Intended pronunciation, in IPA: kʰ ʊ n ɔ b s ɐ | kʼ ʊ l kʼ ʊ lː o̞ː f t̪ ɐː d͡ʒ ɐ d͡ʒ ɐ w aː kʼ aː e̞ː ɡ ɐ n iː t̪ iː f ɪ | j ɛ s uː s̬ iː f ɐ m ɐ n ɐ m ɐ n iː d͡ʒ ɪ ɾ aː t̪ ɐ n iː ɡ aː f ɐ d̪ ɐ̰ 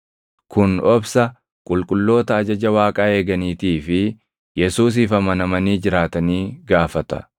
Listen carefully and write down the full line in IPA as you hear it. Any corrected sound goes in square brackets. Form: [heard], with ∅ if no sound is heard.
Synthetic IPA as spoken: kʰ ʊ n ɔ b s ɐ | kʼ ʊ l kʼ ʊ lː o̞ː [∅] t̪ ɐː d͡ʒ ɐ d͡ʒ ɐ w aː kʼ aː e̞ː ɡ ɐ n iː t̪ iː f ɪ | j ɛ s uː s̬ iː f ɐ m ɐ n ɐ m ɐ n iː d͡ʒ ɪ ɾ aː t̪ ɐ n iː ɡ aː f ɐ [t̪] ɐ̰

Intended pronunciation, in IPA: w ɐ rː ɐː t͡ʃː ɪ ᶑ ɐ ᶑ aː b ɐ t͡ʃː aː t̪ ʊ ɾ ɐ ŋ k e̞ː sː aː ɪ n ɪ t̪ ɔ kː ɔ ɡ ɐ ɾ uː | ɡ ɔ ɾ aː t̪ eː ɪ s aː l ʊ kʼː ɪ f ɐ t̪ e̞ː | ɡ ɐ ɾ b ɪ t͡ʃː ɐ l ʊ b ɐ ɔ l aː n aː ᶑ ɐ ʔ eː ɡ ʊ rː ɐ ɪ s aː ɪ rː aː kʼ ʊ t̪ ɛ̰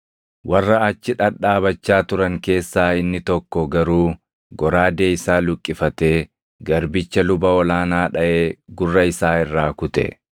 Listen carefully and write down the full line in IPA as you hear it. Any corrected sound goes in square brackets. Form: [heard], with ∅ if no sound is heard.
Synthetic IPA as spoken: w ɐ rː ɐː t͡ʃː ɪ ᶑ ɐ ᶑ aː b ɐ t͡ʃː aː t̪ ʊ ɾ ɐ ŋ k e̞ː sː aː ɪ [nː] ɪ t̪ ɔ kː ɔ ɡ ɐ ɾ uː | ɡ ɔ ɾ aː [d̪] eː ɪ s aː l ʊ kʼː ɪ f ɐ t̪ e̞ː | ɡ ɐ ɾ b ɪ t͡ʃː ɐ l ʊ b ɐ ɔ l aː n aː ᶑ ɐ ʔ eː ɡ ʊ rː ɐ ɪ s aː ɪ rː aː [k] ʊ t̪ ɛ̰

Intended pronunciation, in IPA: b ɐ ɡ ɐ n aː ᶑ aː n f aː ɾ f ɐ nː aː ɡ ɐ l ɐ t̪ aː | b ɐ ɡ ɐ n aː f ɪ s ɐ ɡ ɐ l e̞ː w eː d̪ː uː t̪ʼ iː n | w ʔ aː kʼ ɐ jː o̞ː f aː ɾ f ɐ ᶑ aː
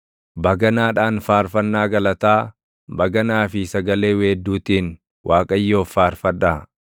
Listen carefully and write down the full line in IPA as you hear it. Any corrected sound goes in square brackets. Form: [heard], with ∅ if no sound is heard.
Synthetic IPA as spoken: b ɐ ɡ ɐ n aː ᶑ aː n f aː ɾ f ɐ nː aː ɡ ɐ l ɐ t̪ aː | b ɐ ɡ ɐ n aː f ɪ s ɐ ɡ ɐ l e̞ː w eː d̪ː uː [t̪] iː n | w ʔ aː kʼ ɐ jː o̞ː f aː ɾ f ɐ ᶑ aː

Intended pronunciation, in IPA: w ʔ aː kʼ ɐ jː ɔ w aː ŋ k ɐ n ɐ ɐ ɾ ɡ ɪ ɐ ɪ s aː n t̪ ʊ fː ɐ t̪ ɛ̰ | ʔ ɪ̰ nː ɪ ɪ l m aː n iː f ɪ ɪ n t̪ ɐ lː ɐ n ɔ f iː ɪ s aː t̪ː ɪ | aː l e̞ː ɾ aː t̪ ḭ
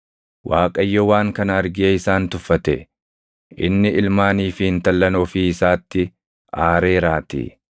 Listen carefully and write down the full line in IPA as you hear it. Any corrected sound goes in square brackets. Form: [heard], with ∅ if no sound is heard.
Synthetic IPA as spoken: w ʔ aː kʼ ɐ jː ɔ w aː ŋ k ɐ n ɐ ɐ ɾ ɡ ɪ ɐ ɪ s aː n t̪ ʊ fː ɐ t̪ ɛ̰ | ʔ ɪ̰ nː ɪ ɪ l m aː n iː f ɪ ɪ n t̪ ɐ lː ɐ n ɔ f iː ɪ s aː t̪ː ɪ | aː [ɾ] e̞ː ɾ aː t̪ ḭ

